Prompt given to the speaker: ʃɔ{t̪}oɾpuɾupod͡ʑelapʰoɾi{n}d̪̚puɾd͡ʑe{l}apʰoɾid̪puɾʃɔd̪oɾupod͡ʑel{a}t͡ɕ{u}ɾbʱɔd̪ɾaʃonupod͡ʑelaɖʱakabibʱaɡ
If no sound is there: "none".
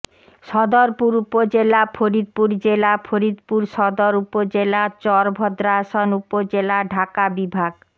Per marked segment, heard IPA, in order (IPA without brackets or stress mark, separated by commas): d̪, none, l, a, ɔ